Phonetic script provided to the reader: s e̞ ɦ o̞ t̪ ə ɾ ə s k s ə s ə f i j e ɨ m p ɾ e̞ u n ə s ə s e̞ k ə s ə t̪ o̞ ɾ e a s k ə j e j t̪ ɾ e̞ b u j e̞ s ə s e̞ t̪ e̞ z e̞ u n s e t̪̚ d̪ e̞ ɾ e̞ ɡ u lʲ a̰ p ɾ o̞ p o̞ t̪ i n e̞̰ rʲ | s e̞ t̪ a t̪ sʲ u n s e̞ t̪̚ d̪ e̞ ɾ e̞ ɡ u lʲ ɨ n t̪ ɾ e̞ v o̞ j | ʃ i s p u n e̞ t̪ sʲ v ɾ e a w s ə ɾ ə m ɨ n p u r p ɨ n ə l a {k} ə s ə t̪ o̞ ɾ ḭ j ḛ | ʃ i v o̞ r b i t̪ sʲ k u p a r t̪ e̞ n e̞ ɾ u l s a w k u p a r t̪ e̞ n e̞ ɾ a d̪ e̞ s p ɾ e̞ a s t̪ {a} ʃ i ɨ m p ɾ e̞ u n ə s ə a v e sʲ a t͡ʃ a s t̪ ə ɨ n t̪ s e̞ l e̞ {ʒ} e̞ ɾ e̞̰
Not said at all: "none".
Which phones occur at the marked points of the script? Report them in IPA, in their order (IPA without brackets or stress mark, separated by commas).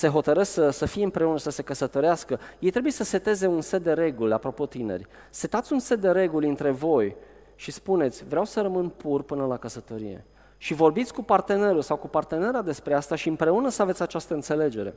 k, a, d͡ʒ